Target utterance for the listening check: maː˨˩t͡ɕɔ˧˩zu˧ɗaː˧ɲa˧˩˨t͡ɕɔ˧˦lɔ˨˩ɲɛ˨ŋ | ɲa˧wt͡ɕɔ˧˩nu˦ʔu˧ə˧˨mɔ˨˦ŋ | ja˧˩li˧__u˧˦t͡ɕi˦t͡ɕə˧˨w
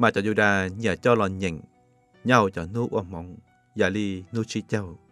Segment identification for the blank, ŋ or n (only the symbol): n